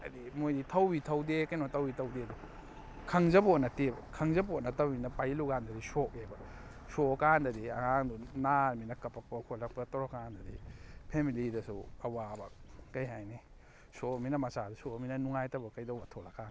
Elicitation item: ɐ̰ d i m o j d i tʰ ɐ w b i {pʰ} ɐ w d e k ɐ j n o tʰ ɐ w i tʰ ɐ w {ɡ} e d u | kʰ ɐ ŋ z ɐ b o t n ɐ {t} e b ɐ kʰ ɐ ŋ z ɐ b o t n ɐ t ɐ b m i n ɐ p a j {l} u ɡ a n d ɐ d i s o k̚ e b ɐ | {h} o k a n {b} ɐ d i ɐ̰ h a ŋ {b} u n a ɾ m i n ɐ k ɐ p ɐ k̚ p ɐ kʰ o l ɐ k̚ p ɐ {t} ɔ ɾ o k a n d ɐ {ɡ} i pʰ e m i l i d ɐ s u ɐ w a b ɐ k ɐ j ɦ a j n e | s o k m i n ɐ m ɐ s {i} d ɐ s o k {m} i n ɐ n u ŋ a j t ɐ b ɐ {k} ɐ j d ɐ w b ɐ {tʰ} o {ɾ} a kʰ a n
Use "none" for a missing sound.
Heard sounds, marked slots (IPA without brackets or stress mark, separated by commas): tʰ, d, t, l, s, d, d, t, d, a, m, k, tʰ, l